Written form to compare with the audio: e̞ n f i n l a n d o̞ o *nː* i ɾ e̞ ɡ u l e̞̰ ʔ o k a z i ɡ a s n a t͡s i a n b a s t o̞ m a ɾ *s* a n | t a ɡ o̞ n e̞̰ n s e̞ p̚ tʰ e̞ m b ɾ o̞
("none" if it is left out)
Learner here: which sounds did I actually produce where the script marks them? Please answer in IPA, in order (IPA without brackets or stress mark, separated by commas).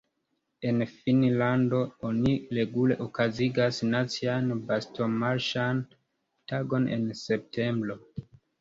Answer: n, ʃ